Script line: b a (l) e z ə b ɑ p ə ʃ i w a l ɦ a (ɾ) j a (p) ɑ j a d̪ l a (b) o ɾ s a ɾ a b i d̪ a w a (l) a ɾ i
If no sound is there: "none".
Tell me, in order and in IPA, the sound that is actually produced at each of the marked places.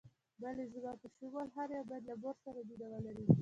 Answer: l, ɾ, b, b, l

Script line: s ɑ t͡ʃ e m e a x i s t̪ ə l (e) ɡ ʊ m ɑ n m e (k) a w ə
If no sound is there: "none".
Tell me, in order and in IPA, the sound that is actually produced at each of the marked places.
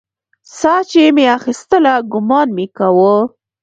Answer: a, k

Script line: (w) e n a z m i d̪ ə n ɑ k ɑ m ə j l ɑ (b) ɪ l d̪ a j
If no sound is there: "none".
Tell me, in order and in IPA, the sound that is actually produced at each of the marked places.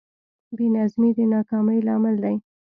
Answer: b, m

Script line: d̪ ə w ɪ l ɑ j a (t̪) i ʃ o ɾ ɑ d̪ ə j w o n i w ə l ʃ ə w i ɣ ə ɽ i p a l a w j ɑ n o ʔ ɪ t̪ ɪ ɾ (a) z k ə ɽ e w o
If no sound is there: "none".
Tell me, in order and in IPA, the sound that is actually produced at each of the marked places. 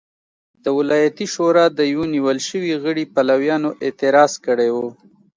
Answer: t̪, ɑ

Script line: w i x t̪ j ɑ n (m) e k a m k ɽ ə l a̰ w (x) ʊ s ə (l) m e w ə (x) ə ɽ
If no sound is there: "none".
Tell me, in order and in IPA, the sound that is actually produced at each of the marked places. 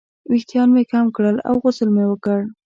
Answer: m, ɣ, l, k

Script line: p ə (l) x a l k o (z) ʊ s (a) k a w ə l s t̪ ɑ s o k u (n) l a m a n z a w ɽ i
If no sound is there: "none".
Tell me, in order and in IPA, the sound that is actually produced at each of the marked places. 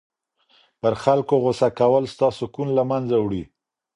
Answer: ɾ, ɣ, a, n

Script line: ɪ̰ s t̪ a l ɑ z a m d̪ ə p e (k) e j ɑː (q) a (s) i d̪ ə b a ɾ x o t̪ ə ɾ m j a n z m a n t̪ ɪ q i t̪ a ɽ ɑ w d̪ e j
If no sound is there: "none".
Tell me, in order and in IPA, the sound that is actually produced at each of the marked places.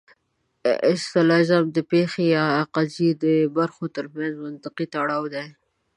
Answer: x, q, z

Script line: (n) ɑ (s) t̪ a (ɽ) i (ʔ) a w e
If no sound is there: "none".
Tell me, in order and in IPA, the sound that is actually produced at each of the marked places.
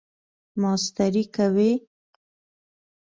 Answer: m, s, ɾ, k

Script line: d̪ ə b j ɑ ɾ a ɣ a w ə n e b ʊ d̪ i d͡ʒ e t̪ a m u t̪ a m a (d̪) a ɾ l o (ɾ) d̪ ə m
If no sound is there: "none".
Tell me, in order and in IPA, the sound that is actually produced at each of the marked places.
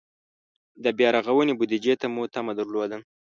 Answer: d̪, none

